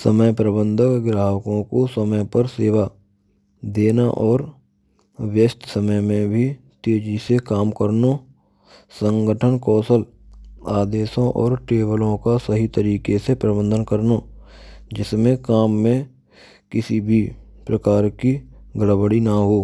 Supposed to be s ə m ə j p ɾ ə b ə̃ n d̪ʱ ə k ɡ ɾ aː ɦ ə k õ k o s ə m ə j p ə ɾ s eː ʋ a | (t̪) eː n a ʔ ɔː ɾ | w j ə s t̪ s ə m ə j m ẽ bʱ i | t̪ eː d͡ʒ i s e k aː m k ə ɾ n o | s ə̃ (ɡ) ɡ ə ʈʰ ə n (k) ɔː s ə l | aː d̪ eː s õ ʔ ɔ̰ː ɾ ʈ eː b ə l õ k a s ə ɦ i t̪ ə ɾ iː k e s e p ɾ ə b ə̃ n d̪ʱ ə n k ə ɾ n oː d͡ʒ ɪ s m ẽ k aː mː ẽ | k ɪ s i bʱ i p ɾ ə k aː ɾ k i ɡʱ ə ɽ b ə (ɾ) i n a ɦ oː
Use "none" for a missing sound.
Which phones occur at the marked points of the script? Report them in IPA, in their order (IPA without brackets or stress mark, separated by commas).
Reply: d̪, ŋ, k, ɽ